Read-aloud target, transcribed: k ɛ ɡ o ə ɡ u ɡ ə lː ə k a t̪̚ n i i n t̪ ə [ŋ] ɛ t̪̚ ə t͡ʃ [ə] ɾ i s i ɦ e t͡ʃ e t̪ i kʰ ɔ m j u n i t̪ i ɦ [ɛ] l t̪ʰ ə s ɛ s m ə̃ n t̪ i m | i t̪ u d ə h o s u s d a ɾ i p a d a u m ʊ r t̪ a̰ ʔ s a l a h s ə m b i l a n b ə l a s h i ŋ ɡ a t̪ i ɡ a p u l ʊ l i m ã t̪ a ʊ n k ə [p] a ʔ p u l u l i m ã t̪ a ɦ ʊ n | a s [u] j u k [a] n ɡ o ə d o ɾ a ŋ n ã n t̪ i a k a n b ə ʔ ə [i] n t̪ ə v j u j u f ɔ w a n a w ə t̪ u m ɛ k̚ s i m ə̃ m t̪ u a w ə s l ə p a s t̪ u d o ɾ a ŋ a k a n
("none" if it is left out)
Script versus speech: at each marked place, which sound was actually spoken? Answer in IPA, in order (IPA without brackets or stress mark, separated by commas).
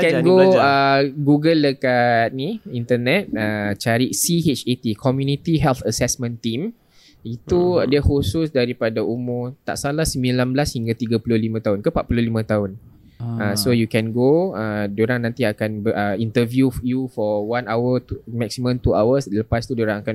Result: n, a, ɛ, p, o, ɛ, i